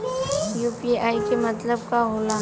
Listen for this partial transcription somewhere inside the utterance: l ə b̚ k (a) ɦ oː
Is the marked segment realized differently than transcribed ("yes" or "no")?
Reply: no